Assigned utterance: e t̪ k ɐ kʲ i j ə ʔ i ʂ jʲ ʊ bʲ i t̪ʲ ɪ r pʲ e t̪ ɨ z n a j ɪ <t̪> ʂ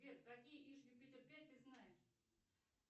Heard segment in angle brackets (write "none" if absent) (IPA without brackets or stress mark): none